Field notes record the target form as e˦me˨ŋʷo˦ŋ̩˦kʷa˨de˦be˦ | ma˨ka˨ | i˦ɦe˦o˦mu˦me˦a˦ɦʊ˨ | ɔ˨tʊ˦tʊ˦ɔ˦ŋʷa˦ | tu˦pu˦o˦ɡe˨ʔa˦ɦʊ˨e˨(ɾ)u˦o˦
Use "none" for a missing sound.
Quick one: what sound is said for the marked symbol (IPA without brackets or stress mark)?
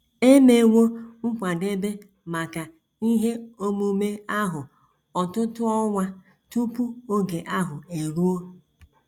ɾ